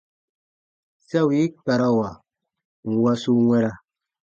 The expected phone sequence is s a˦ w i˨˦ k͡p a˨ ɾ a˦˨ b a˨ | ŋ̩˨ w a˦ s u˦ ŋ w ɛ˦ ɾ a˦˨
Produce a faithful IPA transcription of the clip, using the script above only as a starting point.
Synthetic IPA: s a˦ w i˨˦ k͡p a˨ ɾ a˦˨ w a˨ | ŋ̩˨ w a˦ s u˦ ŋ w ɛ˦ ɾ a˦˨